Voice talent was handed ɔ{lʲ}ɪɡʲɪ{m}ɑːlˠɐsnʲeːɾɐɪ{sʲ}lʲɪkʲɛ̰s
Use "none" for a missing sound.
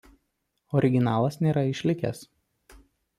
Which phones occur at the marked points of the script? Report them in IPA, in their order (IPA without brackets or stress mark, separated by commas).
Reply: ɾʲ, n, ʃʲ